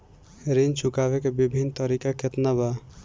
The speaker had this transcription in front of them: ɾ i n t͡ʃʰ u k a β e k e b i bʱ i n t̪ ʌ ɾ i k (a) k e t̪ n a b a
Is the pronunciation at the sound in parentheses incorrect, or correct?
correct